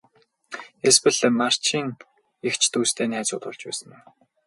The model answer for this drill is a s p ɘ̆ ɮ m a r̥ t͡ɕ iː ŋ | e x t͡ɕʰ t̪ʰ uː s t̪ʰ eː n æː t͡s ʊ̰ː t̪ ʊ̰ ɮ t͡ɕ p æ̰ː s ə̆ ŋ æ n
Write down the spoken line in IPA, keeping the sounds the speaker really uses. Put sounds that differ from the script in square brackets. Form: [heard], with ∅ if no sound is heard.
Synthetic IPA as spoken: [e] s p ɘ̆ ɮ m a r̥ t͡ɕ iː ŋ | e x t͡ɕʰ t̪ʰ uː s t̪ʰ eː n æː t͡s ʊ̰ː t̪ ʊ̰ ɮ t͡ɕ p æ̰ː s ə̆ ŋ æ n